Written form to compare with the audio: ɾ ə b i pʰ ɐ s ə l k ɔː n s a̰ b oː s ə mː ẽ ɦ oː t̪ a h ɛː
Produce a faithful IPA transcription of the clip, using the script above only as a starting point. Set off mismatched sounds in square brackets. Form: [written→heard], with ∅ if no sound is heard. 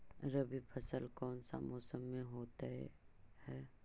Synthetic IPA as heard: ɾ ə b i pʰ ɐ s ə l k ɔː n s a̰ [b→m] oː s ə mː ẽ ɦ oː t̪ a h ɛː